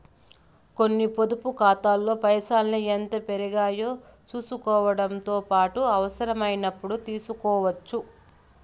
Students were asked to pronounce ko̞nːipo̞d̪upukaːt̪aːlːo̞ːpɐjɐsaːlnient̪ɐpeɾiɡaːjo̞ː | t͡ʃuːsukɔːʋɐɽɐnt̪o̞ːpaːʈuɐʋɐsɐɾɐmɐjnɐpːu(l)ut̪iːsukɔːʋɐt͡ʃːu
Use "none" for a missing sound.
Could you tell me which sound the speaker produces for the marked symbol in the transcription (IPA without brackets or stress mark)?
ɽ